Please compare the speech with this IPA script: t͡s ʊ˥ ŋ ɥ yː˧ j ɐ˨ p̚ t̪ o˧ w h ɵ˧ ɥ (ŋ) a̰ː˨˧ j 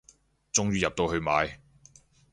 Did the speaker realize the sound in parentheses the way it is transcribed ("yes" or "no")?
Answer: no